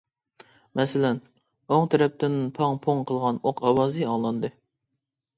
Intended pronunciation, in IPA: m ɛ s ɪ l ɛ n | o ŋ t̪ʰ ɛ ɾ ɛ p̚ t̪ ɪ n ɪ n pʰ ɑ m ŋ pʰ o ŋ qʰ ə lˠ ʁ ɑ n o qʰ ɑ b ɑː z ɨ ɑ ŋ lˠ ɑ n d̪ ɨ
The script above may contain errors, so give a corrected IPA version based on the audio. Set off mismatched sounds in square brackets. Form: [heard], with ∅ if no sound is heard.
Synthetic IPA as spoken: m ɛ s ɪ l ɛ n | o ŋ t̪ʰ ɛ ɾ ɛ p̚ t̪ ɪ n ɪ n pʰ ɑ [∅] ŋ pʰ o ŋ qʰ ə lˠ ʁ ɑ n o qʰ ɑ [w] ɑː z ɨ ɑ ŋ lˠ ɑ n d̪ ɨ